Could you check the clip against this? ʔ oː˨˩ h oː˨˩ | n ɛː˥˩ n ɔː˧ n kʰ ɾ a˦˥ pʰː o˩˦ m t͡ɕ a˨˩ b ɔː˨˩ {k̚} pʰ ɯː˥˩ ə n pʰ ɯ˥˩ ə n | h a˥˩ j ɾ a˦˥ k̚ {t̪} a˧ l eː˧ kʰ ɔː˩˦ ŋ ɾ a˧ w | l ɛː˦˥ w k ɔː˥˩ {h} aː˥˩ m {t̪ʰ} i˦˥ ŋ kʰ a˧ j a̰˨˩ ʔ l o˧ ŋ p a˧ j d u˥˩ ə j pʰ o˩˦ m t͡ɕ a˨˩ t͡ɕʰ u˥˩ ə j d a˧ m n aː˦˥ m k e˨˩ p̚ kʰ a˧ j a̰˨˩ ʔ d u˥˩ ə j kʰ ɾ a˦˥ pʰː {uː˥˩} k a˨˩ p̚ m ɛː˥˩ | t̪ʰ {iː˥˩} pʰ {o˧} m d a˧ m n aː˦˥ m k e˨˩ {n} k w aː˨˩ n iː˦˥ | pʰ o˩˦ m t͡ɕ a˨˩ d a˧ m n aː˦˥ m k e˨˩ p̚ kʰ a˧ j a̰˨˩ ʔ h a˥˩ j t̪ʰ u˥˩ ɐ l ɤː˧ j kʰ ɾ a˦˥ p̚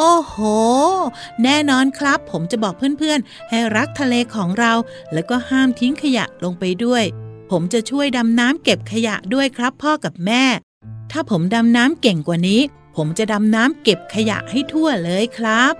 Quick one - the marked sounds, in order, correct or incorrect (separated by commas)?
correct, incorrect, correct, correct, incorrect, incorrect, incorrect, incorrect